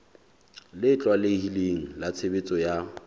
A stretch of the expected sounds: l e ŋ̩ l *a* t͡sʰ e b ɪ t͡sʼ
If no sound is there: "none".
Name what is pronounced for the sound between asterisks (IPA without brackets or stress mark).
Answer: a